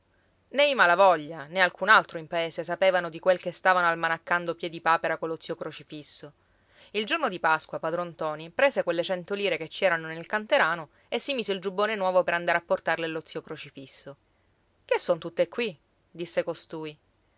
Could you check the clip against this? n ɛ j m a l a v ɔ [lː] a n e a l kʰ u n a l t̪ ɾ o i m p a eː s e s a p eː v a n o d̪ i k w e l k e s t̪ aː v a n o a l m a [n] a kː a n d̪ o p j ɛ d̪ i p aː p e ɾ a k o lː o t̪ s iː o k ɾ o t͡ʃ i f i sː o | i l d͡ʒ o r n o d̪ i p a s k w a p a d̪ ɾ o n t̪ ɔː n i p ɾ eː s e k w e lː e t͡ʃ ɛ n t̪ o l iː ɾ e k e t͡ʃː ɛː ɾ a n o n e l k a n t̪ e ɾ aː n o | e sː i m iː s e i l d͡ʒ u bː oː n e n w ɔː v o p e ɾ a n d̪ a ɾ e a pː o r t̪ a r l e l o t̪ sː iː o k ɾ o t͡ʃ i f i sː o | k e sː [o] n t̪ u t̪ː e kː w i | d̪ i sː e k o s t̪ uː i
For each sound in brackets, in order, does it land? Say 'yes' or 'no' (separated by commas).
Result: no, yes, yes